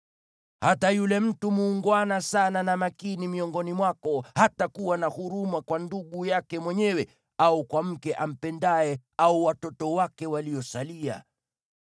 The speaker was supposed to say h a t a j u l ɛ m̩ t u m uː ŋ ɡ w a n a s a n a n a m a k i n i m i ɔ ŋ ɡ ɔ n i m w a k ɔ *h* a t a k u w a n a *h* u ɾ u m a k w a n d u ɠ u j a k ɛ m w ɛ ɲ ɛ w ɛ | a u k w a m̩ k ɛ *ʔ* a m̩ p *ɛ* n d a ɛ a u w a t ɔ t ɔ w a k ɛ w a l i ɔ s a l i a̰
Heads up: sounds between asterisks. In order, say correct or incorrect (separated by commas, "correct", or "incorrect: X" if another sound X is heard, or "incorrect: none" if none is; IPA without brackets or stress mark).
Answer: correct, correct, correct, correct